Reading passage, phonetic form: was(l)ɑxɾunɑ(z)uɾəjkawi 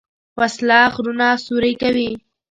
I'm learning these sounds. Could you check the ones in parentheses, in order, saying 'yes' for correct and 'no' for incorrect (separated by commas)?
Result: yes, no